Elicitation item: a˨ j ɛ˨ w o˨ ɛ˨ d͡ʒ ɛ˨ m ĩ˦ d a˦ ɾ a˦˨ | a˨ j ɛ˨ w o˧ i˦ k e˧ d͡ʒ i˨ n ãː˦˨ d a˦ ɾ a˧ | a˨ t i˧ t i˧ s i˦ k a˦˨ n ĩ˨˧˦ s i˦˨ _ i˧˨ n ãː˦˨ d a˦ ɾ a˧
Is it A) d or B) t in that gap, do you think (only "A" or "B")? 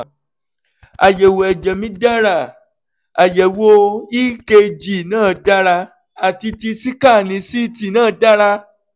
B